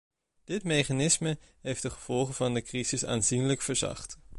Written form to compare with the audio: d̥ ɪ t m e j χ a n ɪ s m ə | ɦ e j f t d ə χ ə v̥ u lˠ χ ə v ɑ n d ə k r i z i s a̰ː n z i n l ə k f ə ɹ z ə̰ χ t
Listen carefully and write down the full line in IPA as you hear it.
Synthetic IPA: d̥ ɪ t m e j χ a n ɪ s m ə | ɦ e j f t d ə χ ə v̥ ɔ lˠ χ ə v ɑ n d ə k r i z ɪ s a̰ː n z i n l ə k f ə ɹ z ɑ̰ χ t